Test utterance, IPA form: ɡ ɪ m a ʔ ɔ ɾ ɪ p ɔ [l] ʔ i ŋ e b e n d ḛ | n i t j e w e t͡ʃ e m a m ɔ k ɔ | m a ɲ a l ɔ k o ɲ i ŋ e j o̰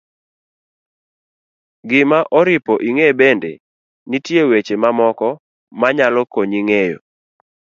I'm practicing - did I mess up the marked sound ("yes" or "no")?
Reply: yes